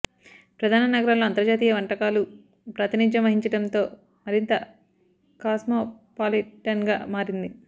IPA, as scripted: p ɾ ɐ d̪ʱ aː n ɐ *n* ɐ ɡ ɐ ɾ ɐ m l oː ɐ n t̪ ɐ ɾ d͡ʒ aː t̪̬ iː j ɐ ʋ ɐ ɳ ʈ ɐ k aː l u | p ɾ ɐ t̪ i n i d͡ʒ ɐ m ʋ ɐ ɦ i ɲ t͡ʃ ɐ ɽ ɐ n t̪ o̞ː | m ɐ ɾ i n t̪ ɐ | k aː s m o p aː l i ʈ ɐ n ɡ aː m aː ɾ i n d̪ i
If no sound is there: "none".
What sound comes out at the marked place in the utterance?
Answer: n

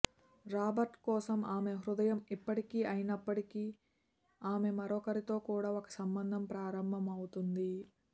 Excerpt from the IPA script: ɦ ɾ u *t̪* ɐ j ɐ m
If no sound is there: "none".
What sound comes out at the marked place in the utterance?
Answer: d̪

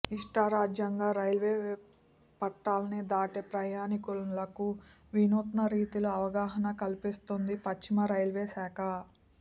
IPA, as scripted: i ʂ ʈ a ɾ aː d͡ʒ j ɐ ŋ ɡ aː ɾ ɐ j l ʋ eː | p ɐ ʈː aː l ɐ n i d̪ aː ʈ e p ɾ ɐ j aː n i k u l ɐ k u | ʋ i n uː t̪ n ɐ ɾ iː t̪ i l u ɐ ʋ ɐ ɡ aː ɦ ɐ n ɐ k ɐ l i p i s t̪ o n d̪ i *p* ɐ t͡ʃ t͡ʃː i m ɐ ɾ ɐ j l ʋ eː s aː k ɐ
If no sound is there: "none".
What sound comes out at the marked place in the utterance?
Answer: p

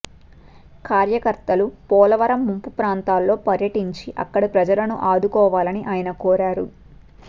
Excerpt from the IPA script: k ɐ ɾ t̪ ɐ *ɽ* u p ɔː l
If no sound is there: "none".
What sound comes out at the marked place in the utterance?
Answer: l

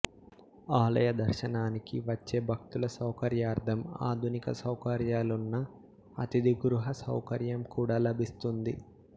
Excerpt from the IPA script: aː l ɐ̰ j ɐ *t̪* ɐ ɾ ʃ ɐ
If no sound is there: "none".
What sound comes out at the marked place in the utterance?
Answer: d̪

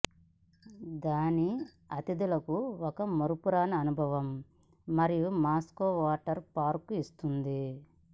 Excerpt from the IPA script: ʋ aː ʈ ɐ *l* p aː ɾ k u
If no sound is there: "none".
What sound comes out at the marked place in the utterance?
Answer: ɾ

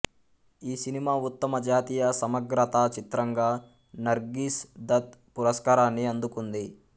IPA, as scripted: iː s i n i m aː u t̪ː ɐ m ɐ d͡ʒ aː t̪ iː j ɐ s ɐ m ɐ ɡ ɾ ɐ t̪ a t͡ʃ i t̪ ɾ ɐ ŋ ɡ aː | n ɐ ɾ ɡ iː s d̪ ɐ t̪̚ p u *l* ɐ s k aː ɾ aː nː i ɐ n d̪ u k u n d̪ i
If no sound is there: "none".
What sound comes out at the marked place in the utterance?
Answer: ɾ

